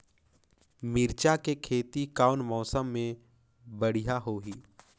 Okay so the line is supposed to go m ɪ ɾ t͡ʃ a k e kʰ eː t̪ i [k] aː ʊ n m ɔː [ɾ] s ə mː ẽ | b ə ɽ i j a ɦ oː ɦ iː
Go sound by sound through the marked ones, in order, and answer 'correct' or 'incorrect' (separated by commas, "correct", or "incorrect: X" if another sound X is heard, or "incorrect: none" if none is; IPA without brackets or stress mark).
correct, incorrect: none